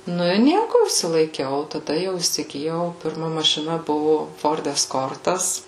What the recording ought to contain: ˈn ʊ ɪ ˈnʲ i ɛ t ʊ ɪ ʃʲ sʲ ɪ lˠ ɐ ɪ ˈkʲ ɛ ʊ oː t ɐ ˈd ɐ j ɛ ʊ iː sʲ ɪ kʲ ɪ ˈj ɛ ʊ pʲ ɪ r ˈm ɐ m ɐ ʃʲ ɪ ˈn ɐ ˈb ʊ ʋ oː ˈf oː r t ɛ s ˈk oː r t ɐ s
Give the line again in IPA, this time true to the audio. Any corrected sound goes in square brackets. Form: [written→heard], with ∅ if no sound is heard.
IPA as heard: ˈn ʊ ɪ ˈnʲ i ɛ [t→k] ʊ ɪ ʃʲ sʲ ɪ lˠ ɐ ɪ ˈkʲ ɛ ʊ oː t ɐ ˈd ɐ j ɛ ʊ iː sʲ ɪ [kʲ→ɡʲ] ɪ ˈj ɛ ʊ pʲ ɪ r ˈm ɐ m ɐ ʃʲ ɪ ˈn ɐ ˈb ʊ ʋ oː ˈf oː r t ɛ s ˈk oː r t ɐ s